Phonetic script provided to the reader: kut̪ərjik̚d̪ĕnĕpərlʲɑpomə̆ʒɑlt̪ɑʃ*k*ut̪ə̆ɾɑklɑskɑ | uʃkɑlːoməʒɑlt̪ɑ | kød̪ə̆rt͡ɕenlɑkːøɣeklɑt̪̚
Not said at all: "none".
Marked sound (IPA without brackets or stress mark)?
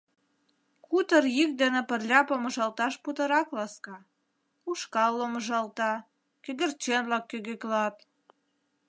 p